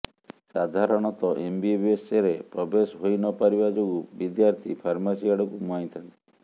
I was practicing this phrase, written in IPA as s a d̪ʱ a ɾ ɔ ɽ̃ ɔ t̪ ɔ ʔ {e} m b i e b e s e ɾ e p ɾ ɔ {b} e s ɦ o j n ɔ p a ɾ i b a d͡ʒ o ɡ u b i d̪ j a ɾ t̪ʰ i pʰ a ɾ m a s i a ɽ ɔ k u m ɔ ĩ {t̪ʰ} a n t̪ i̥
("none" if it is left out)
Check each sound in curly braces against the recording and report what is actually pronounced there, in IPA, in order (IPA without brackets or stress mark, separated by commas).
e, b, t̪ʰ